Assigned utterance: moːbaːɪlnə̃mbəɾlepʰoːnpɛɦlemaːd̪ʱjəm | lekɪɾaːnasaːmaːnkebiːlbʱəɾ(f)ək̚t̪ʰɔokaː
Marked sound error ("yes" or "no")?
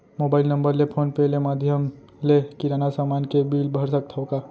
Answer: yes